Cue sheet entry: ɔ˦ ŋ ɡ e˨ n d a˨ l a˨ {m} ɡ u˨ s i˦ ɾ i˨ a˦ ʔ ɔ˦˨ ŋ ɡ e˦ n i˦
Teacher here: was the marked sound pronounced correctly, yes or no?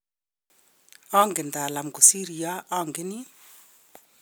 yes